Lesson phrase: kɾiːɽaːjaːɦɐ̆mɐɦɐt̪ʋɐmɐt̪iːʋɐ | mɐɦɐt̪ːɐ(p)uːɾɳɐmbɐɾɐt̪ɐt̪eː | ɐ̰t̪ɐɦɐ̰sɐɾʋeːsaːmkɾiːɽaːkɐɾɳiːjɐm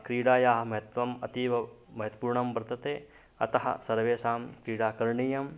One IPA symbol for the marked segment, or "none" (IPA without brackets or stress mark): p